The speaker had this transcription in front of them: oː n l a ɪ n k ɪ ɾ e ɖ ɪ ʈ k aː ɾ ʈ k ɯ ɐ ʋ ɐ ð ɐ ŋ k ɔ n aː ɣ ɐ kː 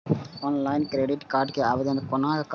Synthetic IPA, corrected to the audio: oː n l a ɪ n k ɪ ɾ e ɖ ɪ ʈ k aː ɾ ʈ k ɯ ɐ ʋ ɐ ð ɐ n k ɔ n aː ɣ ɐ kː